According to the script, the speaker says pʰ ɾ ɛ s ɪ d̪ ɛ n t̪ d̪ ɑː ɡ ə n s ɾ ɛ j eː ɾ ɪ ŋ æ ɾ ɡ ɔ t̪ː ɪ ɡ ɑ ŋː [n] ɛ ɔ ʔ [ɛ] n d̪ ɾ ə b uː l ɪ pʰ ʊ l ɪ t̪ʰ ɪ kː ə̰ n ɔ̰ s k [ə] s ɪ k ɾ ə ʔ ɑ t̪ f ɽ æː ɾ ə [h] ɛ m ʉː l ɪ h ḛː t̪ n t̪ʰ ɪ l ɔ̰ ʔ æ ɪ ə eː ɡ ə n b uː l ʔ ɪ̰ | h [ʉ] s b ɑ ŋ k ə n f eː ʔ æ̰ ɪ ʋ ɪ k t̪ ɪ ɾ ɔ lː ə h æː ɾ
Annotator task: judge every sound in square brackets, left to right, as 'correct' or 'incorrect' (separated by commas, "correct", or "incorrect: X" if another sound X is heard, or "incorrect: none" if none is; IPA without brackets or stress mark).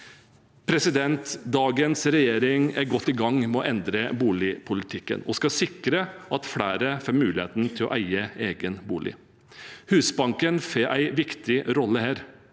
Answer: incorrect: m, correct, incorrect: ɑ, incorrect: f, incorrect: ʉː